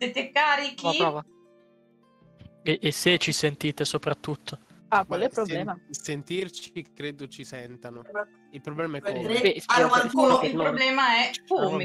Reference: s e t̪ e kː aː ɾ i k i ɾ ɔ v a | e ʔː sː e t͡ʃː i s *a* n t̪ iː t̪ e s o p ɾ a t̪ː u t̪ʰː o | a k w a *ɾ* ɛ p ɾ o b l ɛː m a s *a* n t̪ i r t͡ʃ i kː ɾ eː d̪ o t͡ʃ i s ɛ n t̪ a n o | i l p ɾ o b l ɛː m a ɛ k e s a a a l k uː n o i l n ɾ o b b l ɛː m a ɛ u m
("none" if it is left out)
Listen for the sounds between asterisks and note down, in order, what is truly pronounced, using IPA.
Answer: e, l, e

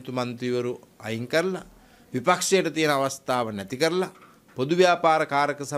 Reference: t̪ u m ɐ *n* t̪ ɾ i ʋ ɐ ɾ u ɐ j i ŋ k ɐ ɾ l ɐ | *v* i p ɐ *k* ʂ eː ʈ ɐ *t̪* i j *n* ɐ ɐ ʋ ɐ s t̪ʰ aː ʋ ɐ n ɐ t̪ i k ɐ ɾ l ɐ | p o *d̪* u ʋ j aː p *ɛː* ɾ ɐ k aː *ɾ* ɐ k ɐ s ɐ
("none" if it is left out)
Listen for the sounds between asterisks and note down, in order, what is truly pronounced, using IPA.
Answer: n, ʋ, k, t̪, n, d̪, aː, ɾ

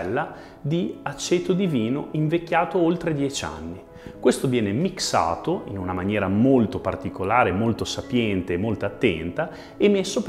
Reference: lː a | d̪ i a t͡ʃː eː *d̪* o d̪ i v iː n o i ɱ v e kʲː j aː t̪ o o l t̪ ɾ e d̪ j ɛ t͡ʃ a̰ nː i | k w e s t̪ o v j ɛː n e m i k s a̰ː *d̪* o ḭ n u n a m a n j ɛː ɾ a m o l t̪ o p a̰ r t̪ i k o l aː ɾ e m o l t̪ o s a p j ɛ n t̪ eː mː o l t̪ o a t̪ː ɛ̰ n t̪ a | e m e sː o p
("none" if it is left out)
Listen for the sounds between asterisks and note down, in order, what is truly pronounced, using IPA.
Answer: t̪, t̪

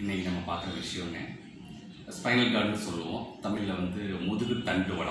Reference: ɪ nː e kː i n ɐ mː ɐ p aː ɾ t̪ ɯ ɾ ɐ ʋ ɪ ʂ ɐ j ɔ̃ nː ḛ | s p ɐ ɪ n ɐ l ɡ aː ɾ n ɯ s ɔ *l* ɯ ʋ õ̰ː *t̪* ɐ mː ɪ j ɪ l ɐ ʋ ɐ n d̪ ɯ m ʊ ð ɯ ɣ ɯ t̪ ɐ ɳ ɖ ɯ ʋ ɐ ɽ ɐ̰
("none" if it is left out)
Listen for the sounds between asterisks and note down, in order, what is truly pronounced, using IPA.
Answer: lː, t̪

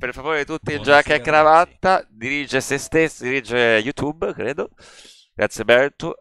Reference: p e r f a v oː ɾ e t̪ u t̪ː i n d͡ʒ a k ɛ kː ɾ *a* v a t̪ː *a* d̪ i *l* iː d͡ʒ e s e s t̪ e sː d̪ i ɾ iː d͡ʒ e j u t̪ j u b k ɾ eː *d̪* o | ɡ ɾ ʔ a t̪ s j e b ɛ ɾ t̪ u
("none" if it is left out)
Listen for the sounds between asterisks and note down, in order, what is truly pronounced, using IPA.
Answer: a, a, ɾ, d̪

